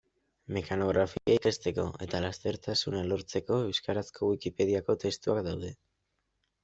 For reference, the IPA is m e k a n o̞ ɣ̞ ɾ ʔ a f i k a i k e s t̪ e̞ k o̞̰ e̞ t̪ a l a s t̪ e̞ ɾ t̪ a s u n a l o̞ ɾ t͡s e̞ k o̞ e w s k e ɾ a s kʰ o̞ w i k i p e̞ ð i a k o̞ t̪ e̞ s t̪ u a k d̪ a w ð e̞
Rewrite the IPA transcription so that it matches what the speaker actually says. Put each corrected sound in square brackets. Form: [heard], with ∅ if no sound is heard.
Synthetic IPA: m e k a n o̞ ɣ̞ ɾ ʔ a f i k a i k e s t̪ e̞ k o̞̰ e̞ t̪ a l a s t̪ e̞ ɾ t̪ a s u n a l o̞ ɾ t͡s e̞ k o̞ e w s k [a] ɾ a s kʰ o̞ w i k i p e̞ ð i a k o̞ t̪ e̞ s t̪ u a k d̪ a w ð e̞